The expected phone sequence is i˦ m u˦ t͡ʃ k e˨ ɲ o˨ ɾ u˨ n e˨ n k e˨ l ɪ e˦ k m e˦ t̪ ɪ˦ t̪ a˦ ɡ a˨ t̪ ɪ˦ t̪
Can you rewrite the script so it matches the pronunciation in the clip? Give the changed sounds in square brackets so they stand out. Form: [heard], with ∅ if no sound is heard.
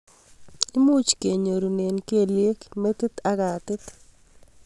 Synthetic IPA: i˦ m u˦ t͡ʃ k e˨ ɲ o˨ ɾ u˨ n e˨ n k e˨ l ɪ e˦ k m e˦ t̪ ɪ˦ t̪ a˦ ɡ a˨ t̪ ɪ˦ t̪